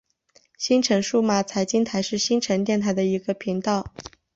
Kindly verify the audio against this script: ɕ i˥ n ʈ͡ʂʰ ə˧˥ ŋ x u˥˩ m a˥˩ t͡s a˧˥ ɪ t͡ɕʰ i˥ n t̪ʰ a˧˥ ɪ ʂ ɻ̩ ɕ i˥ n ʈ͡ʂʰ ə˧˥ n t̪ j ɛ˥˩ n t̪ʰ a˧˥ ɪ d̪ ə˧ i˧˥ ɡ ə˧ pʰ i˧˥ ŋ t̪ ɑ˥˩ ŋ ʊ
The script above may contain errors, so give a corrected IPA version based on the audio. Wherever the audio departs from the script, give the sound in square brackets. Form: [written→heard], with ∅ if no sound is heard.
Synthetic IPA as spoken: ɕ i˥ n ʈ͡ʂʰ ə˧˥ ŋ [x→ʂ] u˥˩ m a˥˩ [t͡s→t͡sʰ] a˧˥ ɪ [t͡ɕʰ→t͡ɕ] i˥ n t̪ʰ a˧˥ ɪ ʂ ɻ̩ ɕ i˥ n ʈ͡ʂʰ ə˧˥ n t̪ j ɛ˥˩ n t̪ʰ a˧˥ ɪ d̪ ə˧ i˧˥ ɡ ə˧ pʰ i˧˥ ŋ t̪ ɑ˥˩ [ŋ→∅] ʊ